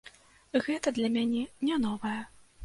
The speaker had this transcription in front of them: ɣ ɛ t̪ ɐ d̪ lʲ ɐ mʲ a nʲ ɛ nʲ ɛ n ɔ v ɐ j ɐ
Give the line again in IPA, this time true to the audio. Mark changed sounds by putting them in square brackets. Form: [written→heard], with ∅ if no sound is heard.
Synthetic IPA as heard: ɣ ɛ t̪ ɐ d̪ lʲ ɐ mʲ a nʲ ɛ nʲ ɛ n ɔ v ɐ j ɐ